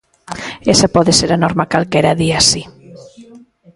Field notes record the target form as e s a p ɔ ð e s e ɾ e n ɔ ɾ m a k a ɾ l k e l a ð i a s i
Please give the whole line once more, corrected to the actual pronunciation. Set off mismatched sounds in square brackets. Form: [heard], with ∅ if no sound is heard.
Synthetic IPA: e s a p ɔ ð e s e ɾ [a] n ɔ ɾ m a k a [∅] l k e [ɾ] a ð i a s i